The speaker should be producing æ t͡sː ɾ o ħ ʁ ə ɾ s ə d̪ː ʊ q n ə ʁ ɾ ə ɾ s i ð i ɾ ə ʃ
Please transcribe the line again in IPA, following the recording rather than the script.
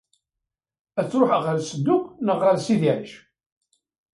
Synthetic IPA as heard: æ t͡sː ɾ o ħ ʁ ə ɾ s ə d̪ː ʊ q n ə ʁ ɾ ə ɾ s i ð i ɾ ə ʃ